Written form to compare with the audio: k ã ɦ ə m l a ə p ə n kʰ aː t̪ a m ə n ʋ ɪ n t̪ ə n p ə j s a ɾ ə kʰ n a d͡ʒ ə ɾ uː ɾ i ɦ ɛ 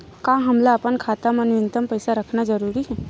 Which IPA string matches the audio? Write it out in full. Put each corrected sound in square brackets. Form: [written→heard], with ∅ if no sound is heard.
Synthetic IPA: k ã ɦ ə m l a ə p ə n kʰ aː t̪ a m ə n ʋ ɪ n t̪ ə [n→m] p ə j s a ɾ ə kʰ n a d͡ʒ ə ɾ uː ɾ i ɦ ɛ